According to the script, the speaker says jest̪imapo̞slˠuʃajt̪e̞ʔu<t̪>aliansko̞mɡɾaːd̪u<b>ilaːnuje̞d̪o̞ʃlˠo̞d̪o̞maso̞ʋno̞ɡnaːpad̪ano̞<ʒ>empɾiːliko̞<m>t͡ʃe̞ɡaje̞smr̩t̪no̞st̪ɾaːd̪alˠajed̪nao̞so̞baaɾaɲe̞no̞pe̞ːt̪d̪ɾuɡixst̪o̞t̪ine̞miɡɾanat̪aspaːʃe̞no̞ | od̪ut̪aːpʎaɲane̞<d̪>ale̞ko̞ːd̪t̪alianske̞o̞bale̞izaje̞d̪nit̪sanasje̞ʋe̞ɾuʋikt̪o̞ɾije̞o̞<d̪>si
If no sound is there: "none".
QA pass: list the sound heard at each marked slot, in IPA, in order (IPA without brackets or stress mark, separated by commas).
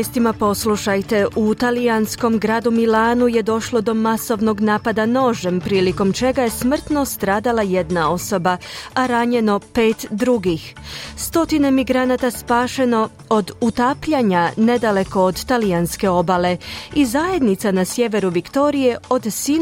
t̪, m, ʒ, m, d̪, d̪